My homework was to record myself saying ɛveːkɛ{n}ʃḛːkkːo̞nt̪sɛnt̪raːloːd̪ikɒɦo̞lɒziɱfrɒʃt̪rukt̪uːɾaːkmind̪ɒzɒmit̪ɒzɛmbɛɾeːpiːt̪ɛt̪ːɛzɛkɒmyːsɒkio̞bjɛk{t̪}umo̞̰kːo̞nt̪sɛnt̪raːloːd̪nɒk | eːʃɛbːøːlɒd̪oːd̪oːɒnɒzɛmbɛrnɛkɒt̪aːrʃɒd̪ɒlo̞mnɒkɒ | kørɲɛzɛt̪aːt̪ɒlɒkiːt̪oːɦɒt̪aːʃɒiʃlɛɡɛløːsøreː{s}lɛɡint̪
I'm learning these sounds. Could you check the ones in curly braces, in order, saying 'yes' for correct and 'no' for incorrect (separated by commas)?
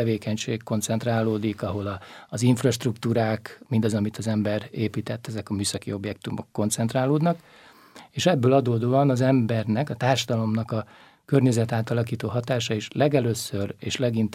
no, yes, no